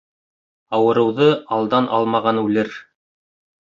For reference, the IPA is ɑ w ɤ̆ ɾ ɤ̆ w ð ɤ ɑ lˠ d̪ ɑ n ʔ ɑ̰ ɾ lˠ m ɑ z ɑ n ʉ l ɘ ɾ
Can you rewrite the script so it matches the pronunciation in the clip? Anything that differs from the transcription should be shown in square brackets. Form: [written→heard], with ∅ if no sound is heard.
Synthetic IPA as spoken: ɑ w ɤ̆ ɾ ɤ̆ w ð ɤ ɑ lˠ d̪ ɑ n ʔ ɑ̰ [ɾ→∅] lˠ m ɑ [z→ʁ] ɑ n ʉ l ɘ ɾ